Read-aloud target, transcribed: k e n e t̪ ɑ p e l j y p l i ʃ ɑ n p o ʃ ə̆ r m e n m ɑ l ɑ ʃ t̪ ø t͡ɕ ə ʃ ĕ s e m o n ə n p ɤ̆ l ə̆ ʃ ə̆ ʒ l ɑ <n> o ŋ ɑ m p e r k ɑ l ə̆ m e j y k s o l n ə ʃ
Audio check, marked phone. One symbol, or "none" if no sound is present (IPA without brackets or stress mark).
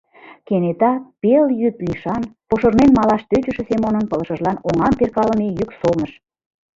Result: n